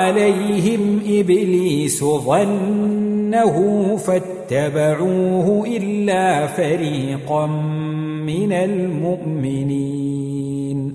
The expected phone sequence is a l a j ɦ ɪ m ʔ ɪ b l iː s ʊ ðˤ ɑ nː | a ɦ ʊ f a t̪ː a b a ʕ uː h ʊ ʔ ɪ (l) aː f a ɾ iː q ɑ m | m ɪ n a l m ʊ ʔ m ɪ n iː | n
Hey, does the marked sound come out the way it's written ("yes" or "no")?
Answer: no